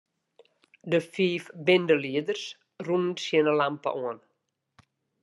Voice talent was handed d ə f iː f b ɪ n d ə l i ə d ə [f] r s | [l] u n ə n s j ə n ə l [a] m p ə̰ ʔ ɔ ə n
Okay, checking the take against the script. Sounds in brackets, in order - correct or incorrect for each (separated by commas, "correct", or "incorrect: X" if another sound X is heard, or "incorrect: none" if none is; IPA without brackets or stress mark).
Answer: incorrect: none, incorrect: r, correct